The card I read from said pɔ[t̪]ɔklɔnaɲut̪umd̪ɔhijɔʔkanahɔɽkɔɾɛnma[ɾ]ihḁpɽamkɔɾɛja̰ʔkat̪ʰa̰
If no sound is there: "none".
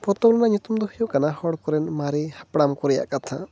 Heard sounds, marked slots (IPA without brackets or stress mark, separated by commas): t̪, ɾ